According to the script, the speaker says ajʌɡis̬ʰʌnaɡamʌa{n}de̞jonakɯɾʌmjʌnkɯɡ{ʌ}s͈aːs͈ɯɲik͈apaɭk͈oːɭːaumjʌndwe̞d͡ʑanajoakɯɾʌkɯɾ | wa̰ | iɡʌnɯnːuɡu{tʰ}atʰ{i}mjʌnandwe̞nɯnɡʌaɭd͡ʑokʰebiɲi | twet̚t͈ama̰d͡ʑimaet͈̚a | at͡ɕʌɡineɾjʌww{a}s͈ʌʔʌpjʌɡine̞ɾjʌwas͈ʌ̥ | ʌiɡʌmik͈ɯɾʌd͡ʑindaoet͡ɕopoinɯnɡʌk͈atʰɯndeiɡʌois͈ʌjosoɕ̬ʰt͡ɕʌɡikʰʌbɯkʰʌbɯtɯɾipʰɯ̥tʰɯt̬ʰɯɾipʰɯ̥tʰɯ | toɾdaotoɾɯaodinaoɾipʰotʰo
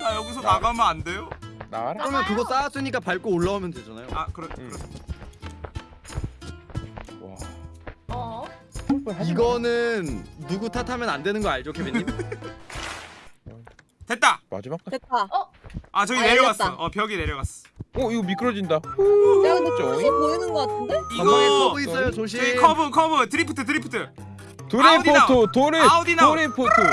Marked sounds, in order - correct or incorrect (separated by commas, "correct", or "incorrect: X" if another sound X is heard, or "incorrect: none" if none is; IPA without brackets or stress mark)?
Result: correct, correct, correct, incorrect: a, correct